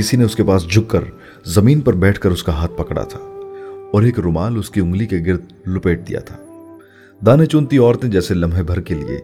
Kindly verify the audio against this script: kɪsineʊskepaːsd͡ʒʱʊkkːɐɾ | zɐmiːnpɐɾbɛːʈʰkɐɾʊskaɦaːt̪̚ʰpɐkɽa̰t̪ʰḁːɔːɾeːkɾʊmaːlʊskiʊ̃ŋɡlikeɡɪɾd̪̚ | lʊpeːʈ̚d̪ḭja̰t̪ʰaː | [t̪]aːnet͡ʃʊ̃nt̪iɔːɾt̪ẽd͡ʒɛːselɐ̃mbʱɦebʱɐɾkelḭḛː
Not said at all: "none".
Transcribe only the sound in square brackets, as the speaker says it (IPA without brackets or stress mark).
d̪